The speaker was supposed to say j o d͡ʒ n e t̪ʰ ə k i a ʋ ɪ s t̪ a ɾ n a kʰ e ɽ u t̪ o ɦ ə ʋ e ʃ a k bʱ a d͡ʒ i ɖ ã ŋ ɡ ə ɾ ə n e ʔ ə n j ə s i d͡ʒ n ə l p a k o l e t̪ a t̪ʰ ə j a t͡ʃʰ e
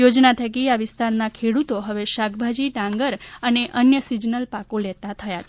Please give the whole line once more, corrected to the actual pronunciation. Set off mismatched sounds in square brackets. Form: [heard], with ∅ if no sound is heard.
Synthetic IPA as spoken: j o d͡ʒ n [a] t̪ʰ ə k i a ʋ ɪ s t̪ a ɾ n a kʰ e ɽ u t̪ o ɦ ə ʋ e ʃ a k bʱ a d͡ʒ i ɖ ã ŋ ɡ ə ɾ ə n e ʔ ə n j ə s i d͡ʒ n ə l p a k o l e t̪ a t̪ʰ ə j a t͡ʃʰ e